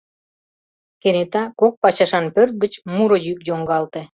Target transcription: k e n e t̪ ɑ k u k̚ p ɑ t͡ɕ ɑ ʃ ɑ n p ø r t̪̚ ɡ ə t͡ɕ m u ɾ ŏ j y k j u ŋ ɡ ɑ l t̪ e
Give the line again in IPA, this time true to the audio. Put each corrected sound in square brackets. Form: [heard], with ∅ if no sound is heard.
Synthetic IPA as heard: k e n e t̪ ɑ k [o] k̚ p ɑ t͡ɕ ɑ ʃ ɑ n p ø r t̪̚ ɡ ə t͡ɕ m u ɾ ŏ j y k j [o] ŋ ɡ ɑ l t̪ e

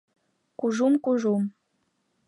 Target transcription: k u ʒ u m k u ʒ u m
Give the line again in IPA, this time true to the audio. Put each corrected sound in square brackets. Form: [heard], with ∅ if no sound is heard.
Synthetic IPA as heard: k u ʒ u m k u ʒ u m

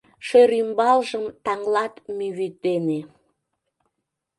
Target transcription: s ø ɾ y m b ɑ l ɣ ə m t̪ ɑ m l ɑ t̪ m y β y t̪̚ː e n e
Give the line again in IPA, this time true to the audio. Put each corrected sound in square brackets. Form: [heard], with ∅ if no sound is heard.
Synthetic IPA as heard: [ʃ] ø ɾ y m b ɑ l [ʒ] ə m t̪ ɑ [ŋ] l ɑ t̪ m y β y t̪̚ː e n e

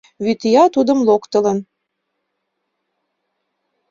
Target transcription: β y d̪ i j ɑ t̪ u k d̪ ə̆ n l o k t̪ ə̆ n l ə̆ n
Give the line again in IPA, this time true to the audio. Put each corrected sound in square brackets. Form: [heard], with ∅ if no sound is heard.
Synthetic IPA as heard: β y [t̪] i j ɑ t̪ u [∅] d̪ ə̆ [m] l o k t̪ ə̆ [∅] l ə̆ n

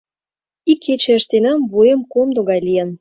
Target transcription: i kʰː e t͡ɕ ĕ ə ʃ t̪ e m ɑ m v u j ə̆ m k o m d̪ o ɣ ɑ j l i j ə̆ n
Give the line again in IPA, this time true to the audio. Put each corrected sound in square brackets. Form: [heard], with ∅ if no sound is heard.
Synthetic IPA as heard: i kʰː e t͡ɕ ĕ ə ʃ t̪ e [n] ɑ m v u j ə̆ m k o m d̪ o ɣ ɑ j l i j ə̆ n

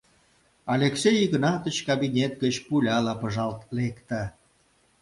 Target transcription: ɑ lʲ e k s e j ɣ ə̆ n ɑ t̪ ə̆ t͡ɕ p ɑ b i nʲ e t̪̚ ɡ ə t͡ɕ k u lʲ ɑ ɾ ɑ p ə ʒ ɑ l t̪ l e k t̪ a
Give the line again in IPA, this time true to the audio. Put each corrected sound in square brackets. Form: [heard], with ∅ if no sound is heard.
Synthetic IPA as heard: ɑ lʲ e k s e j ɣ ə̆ n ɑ t̪ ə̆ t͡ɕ [k] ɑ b i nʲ e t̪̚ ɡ ə t͡ɕ [p] u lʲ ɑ [l] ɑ p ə ʒ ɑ l t̪ l e k t̪ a

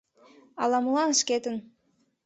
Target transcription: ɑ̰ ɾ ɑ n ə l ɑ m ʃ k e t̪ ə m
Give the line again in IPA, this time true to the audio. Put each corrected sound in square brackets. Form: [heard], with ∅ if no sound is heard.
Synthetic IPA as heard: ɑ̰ [l] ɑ [m] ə l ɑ [n] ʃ k e t̪ ə [n]

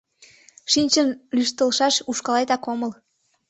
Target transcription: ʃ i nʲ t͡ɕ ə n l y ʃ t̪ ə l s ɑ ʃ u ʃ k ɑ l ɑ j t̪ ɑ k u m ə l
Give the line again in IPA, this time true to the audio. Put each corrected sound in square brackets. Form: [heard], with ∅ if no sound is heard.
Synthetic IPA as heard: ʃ i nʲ t͡ɕ ə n l y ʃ t̪ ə l [ʃ] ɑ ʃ u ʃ k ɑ l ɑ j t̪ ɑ k [o] m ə l

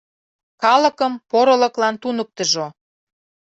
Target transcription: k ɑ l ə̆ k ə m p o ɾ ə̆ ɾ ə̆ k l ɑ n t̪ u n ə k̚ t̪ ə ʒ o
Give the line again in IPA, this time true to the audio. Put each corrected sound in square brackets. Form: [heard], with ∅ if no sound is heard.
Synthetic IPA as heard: k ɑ l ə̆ k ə m p o ɾ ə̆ [l] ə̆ k l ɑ n t̪ u n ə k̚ t̪ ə ʒ o

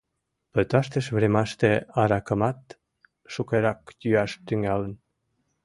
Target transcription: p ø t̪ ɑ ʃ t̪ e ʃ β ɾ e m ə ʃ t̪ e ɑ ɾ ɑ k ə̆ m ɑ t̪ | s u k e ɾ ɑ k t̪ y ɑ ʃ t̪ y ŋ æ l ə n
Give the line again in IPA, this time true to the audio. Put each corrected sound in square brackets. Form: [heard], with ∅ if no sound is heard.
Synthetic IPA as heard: p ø t̪ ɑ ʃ t̪ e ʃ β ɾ e m [ɑ] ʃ t̪ e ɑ ɾ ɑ k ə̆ m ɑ t̪ | [ʃ] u k e ɾ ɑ k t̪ y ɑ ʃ t̪ y ŋ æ l ə n

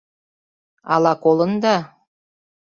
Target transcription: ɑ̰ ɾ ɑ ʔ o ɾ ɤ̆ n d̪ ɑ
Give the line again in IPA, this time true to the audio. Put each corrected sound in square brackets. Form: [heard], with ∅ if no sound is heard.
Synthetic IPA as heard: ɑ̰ [l] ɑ [k] o [l] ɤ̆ n d̪ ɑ

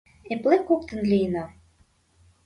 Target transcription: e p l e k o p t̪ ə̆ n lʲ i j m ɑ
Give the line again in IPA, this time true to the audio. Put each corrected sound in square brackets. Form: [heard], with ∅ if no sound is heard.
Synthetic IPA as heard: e p l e k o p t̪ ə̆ n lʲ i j [n] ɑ

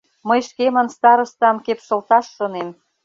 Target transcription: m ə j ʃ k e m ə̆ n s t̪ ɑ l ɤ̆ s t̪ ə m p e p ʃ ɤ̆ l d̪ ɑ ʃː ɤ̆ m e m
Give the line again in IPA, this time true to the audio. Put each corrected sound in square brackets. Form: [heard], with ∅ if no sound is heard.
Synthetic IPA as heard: m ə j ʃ k e m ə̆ n s t̪ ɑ [ɾ] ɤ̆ s t̪ [ɑ] m [k] e p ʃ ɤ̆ l [t̪] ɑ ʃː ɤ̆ [n] e m

